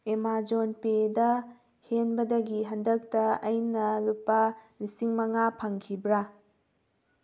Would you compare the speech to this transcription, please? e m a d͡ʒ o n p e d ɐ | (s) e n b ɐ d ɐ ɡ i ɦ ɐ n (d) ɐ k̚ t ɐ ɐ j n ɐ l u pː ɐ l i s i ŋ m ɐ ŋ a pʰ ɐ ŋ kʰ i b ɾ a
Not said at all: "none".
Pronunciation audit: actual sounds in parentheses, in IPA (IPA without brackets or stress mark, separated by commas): h, d